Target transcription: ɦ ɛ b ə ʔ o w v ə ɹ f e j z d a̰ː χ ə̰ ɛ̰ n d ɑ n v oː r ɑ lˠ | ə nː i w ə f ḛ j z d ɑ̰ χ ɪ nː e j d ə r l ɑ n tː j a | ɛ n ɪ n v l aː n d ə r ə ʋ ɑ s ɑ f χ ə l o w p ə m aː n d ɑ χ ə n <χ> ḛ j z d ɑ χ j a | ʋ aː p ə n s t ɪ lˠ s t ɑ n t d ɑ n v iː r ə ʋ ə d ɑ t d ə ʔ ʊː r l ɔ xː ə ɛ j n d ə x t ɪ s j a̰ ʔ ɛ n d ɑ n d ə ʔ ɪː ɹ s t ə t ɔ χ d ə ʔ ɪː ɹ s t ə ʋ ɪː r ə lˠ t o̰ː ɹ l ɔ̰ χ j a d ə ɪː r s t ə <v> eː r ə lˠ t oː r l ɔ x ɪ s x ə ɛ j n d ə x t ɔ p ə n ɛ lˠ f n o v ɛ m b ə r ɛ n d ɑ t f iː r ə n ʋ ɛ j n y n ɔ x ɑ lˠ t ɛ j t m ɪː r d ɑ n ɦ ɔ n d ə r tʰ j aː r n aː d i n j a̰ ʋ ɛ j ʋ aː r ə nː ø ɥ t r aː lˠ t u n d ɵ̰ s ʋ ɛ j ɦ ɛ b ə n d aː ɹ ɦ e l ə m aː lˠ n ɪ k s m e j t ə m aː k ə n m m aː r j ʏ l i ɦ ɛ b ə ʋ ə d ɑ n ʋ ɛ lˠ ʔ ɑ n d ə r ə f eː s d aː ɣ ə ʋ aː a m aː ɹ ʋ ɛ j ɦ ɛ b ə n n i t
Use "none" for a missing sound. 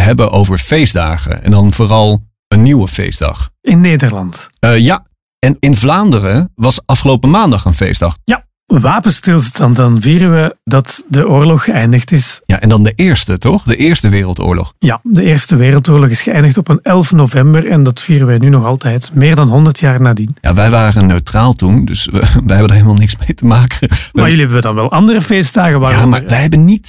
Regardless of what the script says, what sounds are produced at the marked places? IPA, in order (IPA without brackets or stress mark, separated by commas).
f, ʋ